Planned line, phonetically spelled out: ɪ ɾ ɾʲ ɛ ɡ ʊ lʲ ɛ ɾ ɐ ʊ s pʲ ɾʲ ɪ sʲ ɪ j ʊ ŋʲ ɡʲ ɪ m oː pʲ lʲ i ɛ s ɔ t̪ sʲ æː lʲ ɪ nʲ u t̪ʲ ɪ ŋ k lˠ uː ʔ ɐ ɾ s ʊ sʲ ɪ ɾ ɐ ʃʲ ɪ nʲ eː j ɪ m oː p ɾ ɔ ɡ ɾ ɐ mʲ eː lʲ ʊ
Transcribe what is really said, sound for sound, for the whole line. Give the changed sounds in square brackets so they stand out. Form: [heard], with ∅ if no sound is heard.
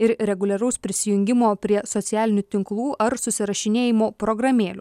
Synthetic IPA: ɪ ɾ ɾʲ ɛ ɡ ʊ lʲ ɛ ɾ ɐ ʊ s pʲ ɾʲ ɪ sʲ ɪ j ʊ ŋʲ ɡʲ ɪ m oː pʲ [ɾʲ] i ɛ s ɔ t̪ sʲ æː lʲ ɪ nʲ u t̪ʲ ɪ ŋ k lˠ uː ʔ ɐ ɾ s ʊ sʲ ɪ ɾ ɐ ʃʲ ɪ nʲ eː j ɪ m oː p ɾ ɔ ɡ ɾ ɐ mʲ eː lʲ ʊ